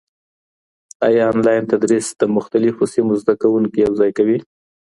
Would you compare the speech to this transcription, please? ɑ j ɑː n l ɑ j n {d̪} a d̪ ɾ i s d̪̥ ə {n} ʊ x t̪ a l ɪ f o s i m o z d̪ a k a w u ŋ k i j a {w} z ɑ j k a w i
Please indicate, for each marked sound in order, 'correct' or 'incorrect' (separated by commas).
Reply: incorrect, incorrect, correct